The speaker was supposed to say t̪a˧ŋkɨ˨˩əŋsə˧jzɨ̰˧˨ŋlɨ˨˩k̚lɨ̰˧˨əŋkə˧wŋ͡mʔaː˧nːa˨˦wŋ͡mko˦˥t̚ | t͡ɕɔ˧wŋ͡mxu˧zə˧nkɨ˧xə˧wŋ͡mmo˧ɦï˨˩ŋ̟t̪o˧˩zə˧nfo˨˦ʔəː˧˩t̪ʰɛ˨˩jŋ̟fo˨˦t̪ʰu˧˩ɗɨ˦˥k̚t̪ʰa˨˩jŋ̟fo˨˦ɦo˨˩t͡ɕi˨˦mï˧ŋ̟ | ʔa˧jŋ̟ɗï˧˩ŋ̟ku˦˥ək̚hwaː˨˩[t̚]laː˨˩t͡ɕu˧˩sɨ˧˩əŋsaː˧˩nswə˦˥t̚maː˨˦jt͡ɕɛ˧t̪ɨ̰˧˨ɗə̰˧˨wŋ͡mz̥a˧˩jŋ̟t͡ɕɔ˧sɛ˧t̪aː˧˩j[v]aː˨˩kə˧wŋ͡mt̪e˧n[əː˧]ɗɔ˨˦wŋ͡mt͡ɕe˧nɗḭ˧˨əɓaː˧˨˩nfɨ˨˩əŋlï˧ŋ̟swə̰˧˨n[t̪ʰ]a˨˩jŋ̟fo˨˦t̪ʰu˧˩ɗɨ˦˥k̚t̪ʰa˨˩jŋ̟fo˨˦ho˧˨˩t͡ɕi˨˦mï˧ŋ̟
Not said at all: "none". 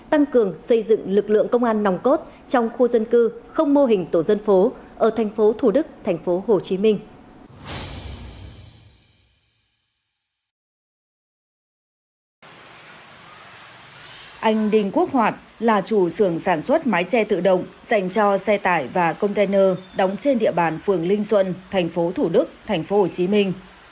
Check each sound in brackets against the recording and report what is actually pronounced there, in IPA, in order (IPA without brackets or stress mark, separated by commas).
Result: t̚, v, əː˧, t̪ʰ